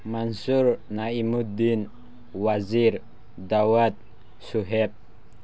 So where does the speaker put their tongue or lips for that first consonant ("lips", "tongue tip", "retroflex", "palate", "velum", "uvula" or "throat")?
lips